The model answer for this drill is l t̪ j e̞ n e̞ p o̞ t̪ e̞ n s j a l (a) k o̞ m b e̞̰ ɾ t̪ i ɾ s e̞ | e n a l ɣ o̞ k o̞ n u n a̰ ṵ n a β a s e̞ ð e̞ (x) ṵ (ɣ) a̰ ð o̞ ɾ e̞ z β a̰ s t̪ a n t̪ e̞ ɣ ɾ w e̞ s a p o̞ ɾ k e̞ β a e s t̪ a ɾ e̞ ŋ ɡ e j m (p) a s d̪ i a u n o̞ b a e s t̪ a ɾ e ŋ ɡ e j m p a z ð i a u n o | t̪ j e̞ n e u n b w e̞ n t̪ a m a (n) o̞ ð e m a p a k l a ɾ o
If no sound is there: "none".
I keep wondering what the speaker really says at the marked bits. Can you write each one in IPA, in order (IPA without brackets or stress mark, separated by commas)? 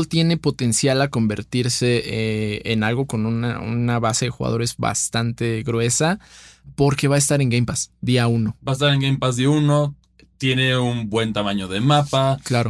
a, x, ɣ, p, ɲ